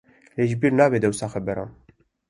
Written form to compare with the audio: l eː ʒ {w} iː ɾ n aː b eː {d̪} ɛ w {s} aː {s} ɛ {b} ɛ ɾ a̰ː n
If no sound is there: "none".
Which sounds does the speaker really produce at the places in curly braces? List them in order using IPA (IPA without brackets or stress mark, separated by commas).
b, d̪, s, x, b